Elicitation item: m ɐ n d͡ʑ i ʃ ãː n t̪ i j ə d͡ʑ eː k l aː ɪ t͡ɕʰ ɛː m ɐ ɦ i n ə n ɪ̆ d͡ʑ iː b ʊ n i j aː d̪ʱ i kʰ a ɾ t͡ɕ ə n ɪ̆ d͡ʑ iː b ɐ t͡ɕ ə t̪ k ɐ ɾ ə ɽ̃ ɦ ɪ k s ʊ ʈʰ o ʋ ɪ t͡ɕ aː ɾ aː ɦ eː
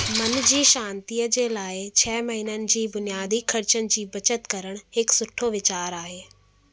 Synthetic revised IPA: m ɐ n d͡ʑ iː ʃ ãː n t̪ i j ə d͡ʑ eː l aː ɪ t͡ɕʰ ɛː m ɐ ɦ i n ə n ɪ̆ d͡ʑ iː b ʊ n i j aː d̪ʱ i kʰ ɐ ɾ t͡ɕ ə n ɪ̆ d͡ʑ iː b ɐ t͡ɕ ə t̪ k ɐ ɾ ə ɽ̃ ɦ ɪ k s ʊ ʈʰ o ʋ ɪ t͡ɕ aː ɾ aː ɦ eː